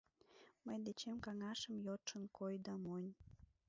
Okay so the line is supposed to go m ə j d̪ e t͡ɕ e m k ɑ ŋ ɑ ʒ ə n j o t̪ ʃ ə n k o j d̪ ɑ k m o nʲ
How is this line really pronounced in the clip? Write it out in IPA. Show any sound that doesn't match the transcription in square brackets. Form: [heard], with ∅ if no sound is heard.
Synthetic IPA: m ə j d̪ e t͡ɕ e m k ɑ ŋ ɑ [ʃ] ə [m] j o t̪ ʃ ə n k o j d̪ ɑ [∅] m o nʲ